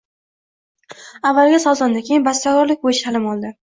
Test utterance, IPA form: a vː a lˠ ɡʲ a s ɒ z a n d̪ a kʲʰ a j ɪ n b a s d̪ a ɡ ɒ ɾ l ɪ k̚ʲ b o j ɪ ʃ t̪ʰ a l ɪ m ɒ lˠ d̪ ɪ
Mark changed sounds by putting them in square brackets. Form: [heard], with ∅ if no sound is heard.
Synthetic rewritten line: a vː a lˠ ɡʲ a s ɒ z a n d̪ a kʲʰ [e] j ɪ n b a s [t̪] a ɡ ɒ ɾ l ɪ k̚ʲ b o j ɪ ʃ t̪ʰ a l ɪ m ɒ lˠ d̪ ɪ